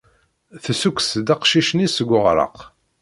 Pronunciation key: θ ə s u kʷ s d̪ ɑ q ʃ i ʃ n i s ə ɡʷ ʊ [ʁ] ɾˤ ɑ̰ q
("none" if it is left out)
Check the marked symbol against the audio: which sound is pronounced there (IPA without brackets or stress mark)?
ʁ